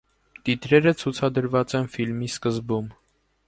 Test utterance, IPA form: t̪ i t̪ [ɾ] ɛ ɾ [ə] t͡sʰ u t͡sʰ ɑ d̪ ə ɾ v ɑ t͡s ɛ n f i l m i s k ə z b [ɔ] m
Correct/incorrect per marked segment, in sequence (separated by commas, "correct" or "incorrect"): correct, correct, incorrect